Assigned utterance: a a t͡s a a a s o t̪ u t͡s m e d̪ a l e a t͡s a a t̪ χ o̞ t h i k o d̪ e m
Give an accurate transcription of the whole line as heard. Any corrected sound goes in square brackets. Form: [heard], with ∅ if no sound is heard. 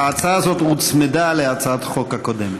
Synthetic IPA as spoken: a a t͡s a a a [z] o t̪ u t͡s m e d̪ a l e a t͡s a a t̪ χ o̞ [k] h [a] k o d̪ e m